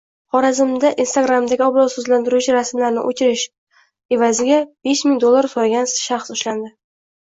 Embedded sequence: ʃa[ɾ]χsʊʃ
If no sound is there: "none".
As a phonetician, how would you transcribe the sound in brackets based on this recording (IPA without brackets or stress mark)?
none